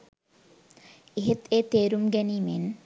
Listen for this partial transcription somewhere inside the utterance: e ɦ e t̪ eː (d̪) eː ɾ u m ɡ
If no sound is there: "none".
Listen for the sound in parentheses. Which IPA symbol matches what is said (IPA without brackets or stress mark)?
t̪